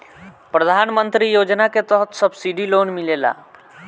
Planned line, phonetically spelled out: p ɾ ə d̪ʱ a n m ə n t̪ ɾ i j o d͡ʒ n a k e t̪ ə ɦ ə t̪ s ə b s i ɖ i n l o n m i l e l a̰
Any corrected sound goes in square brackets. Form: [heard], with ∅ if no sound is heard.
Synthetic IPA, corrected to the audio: p ɾ ə d̪ʱ a n m ə n t̪ ɾ i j o d͡ʒ n a k e t̪ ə ɦ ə t̪ s ə b s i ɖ i [∅] l o n m i l e l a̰